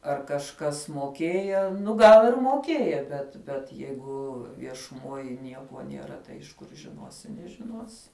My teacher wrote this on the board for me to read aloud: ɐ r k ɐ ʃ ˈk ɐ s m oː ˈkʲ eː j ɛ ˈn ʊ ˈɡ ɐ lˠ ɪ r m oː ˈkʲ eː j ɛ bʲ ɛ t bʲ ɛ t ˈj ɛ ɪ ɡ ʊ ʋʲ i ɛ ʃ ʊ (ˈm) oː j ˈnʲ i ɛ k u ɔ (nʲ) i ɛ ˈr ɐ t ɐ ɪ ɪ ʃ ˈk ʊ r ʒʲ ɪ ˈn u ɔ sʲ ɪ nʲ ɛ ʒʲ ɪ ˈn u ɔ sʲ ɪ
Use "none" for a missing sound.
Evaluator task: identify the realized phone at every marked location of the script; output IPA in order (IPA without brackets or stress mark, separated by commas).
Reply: m, nʲ